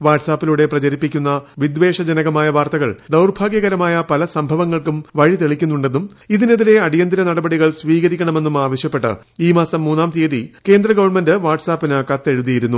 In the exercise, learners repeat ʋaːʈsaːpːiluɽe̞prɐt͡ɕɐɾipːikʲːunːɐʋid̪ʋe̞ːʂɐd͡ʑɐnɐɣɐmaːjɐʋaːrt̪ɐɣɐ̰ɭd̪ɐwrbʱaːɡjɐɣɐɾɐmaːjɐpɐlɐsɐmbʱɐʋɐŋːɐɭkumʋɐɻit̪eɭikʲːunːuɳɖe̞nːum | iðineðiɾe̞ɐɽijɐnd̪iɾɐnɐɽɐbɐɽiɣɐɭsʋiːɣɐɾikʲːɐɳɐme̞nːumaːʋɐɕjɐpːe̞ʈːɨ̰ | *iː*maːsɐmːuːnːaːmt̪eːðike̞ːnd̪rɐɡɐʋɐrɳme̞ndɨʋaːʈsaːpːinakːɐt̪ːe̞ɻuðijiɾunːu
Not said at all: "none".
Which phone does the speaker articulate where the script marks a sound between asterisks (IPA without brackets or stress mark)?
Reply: iː